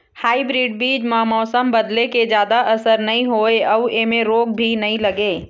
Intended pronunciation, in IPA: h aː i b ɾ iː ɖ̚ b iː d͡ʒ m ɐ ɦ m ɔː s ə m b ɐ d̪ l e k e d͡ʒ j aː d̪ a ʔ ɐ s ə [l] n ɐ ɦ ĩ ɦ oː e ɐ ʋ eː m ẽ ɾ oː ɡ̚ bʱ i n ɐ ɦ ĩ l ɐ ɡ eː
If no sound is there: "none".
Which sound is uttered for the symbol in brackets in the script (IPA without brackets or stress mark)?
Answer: ɾ